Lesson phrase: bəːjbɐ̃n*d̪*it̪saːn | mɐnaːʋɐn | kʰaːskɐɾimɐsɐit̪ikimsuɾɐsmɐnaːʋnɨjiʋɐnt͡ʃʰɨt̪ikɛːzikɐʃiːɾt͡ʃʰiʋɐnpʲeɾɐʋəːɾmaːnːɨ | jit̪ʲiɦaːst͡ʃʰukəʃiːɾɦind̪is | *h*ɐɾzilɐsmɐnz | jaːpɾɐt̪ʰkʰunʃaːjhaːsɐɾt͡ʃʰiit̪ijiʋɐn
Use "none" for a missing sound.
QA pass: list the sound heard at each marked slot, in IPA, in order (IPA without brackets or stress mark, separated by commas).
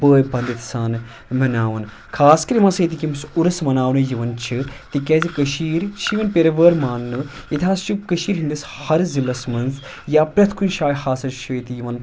d̪, h